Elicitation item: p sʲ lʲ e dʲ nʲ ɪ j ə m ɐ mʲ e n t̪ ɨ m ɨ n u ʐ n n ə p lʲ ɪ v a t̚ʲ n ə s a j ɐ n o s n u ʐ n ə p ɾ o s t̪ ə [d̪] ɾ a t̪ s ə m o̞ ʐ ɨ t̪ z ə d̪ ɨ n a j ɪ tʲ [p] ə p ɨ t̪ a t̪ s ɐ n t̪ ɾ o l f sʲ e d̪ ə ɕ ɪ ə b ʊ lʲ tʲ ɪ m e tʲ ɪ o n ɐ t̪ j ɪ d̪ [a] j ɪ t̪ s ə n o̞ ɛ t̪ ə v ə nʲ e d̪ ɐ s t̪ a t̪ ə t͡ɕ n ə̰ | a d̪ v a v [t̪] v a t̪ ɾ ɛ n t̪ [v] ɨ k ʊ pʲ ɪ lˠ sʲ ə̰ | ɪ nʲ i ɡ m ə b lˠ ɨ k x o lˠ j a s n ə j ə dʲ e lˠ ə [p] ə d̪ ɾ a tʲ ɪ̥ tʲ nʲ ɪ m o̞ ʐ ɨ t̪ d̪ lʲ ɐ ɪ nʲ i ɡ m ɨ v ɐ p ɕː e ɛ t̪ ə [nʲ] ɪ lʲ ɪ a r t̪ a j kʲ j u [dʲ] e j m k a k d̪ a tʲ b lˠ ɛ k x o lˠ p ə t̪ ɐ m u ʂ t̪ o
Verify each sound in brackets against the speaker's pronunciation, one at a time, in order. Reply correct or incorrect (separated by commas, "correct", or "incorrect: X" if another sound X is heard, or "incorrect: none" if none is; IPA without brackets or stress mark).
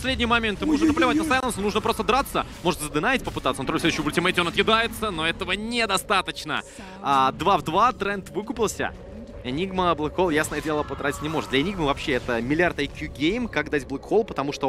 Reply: correct, correct, correct, incorrect: d̪, correct, correct, incorrect: mʲ, incorrect: ɡʲ